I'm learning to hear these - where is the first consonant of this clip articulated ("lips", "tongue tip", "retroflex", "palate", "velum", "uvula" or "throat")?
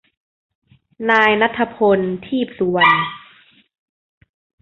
tongue tip